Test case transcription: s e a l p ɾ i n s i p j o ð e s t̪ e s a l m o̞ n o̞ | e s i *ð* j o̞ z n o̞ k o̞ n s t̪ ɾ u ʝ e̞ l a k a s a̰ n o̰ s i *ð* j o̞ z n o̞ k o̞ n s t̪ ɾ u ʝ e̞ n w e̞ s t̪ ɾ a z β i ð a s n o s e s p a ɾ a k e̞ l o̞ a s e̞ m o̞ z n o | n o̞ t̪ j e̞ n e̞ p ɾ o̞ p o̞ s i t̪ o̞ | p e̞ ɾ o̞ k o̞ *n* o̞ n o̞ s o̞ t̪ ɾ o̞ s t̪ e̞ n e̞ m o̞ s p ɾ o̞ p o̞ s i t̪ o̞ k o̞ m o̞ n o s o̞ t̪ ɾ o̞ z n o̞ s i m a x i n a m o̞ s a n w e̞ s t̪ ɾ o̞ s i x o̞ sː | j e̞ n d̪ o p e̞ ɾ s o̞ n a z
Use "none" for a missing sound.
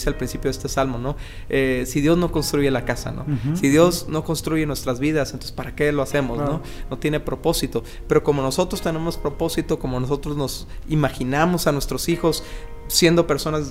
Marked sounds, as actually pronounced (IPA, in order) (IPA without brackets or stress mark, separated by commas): ð, ð, m